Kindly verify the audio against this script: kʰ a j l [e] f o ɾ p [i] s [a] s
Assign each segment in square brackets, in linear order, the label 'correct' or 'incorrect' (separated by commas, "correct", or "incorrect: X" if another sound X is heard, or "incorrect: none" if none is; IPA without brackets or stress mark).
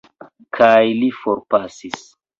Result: incorrect: i, incorrect: a, incorrect: i